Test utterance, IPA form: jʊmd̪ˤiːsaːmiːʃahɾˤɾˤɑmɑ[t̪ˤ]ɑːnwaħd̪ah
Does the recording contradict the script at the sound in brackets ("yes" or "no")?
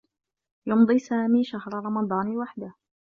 yes